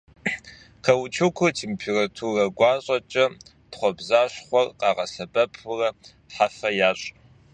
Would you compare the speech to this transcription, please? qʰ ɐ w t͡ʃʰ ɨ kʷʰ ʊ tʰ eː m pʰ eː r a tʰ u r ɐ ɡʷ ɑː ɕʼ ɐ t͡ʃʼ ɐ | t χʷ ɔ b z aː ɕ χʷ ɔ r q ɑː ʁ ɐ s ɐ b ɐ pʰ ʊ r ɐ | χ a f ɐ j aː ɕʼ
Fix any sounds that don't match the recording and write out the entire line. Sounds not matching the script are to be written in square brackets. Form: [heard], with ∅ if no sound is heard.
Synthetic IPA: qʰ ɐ w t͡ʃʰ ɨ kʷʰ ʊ tʰ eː m pʰ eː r a tʰ u r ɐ ɡʷ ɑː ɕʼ ɐ t͡ʃʼ ɐ | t χʷ ɔ b z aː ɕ χʷ ɔ r q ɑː ʁ ɐ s ɐ b ɐ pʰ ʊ r ɐ | [ħ] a f ɐ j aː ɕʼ

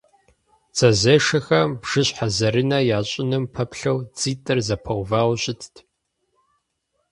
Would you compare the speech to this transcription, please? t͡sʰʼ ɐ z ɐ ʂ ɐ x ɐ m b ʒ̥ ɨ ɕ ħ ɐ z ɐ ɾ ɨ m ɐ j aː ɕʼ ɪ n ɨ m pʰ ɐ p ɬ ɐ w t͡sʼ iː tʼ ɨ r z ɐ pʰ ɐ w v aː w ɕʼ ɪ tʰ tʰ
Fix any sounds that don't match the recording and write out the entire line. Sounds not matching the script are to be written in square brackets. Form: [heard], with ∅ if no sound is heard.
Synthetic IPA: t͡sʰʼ ɐ z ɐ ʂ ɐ x ɐ m b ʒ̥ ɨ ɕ ħ [a] z ɐ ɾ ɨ [n] ɐ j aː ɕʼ ɪ n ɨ m pʰ ɐ p ɬ ɐ w t͡sʼ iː tʼ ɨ r z ɐ pʰ ɐ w v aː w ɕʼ ɪ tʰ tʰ

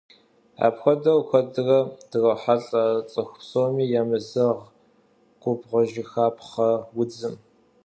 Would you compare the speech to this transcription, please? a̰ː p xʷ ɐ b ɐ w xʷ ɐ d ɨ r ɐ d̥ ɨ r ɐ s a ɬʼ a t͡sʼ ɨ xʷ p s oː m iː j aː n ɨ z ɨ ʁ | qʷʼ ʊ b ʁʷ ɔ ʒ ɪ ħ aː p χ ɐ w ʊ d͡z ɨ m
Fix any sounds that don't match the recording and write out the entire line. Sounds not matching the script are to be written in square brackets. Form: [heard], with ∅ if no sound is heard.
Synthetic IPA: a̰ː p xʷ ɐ [d] ɐ w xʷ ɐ d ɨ r ɐ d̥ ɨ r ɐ [ħ] a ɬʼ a t͡sʼ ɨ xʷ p s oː m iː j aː [m] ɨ z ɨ ʁ | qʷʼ ʊ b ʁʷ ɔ ʒ ɪ [x] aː p χ ɐ w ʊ d͡z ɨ m

